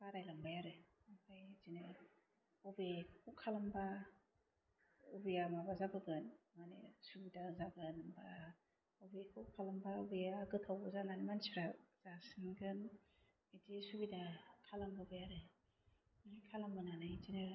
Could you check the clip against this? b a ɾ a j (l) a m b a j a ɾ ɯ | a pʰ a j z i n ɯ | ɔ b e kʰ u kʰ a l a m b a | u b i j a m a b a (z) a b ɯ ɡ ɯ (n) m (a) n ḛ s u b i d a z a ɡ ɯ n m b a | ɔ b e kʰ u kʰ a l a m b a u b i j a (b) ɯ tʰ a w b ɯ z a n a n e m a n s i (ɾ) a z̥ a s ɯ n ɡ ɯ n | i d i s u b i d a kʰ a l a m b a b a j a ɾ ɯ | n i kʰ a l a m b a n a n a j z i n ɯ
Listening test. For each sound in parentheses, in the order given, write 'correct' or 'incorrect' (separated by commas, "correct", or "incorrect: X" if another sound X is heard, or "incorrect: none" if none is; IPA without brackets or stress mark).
correct, correct, correct, correct, incorrect: ɡ, correct